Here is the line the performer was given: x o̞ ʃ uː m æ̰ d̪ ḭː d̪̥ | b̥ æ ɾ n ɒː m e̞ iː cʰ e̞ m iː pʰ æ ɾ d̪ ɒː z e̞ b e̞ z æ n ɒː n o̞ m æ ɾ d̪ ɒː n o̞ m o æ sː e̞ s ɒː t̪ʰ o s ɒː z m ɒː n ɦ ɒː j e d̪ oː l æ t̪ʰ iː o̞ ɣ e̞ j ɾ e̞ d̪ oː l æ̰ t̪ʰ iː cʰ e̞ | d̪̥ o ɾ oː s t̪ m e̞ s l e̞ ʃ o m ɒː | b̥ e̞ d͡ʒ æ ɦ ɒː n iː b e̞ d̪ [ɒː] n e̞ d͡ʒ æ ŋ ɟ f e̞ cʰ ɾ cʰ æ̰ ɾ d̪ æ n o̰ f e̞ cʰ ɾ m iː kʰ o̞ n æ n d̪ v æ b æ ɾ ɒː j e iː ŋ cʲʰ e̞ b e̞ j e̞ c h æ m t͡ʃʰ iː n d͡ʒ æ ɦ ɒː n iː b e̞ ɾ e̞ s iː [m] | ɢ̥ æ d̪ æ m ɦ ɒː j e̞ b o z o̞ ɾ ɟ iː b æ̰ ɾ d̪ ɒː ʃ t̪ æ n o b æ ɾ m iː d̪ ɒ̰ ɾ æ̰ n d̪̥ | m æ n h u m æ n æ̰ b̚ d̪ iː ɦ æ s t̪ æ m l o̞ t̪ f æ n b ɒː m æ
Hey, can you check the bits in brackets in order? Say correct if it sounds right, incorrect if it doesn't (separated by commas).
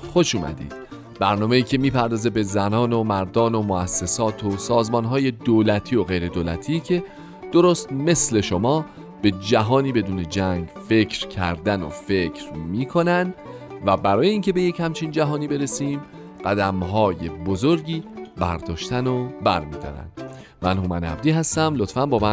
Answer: incorrect, correct